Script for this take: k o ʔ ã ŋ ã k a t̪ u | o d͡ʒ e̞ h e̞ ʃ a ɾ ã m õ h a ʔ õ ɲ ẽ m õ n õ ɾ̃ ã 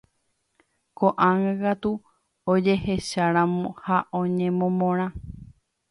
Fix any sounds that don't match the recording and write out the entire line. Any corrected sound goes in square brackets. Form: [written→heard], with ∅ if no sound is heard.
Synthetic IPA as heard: k o ʔ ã ŋ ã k a t̪ u | o d͡ʒ e̞ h e̞ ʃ a ɾ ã m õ h a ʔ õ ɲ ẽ m õ [n→m] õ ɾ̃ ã